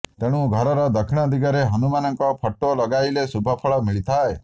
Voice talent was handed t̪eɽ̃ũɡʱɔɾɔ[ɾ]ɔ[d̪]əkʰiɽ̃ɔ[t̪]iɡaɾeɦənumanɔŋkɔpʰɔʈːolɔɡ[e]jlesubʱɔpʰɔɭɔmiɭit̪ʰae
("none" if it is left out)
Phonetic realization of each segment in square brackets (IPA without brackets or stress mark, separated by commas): ɾ, d̪, d̪, a